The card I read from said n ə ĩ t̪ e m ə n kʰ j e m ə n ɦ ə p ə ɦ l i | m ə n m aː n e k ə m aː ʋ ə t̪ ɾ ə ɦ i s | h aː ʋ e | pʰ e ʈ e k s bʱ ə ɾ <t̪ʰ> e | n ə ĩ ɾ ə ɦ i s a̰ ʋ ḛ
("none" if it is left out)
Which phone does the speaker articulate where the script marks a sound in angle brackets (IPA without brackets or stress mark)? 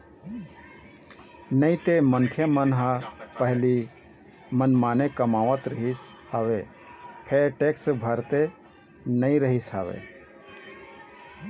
t̪